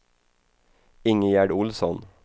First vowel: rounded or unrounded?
unrounded